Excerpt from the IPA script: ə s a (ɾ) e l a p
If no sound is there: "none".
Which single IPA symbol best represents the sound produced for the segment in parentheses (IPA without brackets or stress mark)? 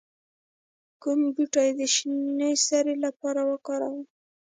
ɾ